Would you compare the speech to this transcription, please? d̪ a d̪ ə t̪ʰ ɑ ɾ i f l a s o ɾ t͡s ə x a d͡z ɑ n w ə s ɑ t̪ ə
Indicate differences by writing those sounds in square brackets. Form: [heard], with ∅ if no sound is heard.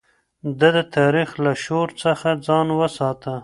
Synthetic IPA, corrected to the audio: d̪ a d̪ ə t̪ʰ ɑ ɾ i [x] l a [ʃ] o ɾ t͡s ə x a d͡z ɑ n w ə s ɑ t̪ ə